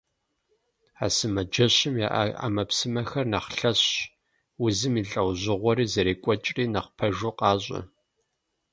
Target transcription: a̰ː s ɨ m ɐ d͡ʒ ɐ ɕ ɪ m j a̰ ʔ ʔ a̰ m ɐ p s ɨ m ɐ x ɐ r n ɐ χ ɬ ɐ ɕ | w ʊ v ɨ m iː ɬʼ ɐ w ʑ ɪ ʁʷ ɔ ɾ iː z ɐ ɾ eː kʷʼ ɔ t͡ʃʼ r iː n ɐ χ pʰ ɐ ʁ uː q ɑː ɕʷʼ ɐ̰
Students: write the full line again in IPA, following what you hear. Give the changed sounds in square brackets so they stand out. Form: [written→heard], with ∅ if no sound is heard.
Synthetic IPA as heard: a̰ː s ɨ m ɐ d͡ʒ ɐ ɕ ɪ m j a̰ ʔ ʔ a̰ m ɐ p s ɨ m ɐ x ɐ r n ɐ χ ɬ ɐ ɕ | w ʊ [v→z] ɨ m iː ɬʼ ɐ w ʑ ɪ ʁʷ ɔ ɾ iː z ɐ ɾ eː kʷʼ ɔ t͡ʃʼ r iː n ɐ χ pʰ ɐ [ʁ→ʒ] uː q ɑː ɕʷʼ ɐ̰